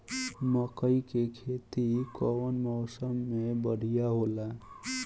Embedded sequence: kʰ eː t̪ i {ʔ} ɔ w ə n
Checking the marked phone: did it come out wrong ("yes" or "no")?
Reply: yes